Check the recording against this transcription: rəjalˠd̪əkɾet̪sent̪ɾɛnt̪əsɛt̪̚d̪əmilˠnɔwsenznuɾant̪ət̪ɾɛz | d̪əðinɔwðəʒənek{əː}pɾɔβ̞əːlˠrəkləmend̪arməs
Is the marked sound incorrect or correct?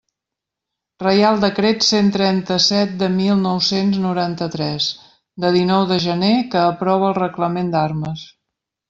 correct